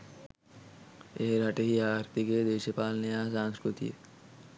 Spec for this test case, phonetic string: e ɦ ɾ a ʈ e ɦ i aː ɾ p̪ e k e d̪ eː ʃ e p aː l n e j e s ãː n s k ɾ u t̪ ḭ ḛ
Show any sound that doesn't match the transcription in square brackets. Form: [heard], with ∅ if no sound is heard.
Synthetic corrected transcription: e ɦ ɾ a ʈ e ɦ i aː ɾ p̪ [i] k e d̪ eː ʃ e p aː l n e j [a] s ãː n s k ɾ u t̪ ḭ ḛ